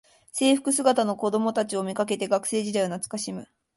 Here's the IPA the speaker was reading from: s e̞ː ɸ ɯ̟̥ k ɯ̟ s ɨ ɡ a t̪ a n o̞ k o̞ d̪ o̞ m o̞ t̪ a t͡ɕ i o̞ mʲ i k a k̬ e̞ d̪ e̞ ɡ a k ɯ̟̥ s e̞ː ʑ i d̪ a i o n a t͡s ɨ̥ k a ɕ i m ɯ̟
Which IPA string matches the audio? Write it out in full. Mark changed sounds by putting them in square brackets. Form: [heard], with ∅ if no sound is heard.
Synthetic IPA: s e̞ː ɸ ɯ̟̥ k ɯ̟ s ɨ ɡ a t̪ a n o̞ k o̞ d̪ o̞ m o̞ t̪ a t͡ɕ i o̞ mʲ i k a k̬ e̞ [t̪] e̞ ɡ a k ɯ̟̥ s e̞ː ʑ i d̪ a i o n a t͡s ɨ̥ k a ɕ i m ɯ̟